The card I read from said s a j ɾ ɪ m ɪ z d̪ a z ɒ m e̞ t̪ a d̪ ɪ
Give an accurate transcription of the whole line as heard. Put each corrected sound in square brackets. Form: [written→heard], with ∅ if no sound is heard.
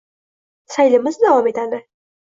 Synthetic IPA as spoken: s a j [ɾ→l] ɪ m ɪ z d̪ a [z→v] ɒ m e̞ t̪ a d̪ ɪ